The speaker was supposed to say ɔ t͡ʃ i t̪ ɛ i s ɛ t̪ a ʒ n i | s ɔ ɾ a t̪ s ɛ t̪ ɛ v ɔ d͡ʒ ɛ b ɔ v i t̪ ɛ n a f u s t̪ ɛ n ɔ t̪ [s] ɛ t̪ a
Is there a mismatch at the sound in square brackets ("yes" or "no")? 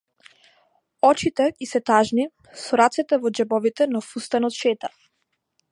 yes